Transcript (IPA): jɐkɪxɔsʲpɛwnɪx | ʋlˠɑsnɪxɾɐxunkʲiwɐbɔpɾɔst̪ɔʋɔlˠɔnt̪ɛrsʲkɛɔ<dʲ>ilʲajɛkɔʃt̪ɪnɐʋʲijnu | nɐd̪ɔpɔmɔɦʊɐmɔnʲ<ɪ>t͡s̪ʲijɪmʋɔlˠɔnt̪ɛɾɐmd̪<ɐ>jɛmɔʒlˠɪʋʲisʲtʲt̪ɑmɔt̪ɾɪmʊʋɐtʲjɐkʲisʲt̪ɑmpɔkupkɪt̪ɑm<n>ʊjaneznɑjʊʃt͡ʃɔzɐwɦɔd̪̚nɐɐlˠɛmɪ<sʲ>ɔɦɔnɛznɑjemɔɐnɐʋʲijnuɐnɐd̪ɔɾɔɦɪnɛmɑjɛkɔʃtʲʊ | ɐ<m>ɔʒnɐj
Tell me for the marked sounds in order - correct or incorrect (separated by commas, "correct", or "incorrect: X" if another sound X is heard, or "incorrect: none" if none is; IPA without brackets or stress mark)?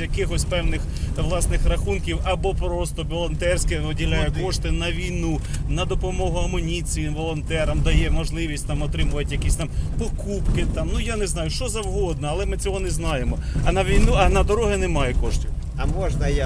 correct, incorrect: i, correct, correct, incorrect: t͡sʲ, correct